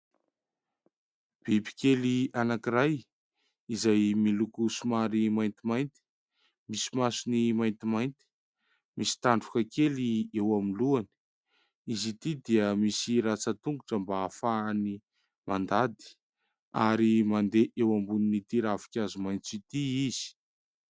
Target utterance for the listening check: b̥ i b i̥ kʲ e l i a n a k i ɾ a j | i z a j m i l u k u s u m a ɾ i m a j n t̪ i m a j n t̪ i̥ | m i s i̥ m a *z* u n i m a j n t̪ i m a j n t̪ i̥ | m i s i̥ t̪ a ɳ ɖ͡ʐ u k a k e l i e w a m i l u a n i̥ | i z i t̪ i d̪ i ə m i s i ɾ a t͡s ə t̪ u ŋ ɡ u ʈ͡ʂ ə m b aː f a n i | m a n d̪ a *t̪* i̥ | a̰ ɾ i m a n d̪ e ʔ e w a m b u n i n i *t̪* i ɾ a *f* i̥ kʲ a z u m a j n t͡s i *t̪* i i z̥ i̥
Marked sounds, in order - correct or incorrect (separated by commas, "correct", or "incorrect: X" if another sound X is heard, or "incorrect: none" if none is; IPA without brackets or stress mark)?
incorrect: s, incorrect: d̪, correct, incorrect: v, correct